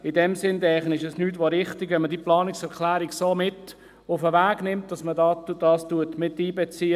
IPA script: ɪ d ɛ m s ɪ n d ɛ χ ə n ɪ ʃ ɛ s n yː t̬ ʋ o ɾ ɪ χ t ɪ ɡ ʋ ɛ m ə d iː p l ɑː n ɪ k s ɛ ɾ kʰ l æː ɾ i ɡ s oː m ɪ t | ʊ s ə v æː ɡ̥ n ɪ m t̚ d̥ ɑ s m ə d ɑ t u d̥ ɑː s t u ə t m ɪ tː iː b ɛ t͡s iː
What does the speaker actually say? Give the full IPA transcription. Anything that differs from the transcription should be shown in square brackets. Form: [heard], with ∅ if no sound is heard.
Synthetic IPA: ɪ d ɛ m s ɪ n d ɛ χ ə n ɪ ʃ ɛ s n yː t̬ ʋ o ɾ ɪ χ t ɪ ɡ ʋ ɛ m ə d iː p l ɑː n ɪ k s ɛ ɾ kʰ l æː ɾ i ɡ s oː m ɪ t | ʊ [f] ə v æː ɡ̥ n ɪ m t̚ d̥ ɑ s m ə d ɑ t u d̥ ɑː s t u ə t m ɪ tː iː b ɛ t͡s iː